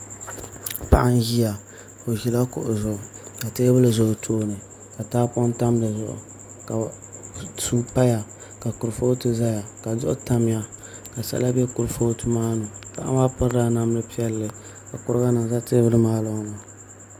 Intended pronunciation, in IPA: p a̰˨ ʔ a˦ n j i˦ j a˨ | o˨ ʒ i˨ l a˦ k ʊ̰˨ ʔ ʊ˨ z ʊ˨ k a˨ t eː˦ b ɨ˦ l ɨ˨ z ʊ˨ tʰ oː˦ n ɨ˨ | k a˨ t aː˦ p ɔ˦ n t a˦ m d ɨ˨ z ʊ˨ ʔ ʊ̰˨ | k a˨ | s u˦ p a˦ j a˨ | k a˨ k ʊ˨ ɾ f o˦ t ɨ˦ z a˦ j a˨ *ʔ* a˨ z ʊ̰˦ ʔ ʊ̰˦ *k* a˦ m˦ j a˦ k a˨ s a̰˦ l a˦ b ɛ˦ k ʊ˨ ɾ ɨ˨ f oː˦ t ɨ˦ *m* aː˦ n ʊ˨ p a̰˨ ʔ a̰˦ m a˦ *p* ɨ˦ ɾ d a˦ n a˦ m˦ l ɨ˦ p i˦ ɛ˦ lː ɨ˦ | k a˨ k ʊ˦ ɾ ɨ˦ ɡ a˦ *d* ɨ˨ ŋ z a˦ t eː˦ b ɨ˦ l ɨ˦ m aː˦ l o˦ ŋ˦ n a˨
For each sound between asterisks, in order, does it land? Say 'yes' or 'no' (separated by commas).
no, no, yes, yes, no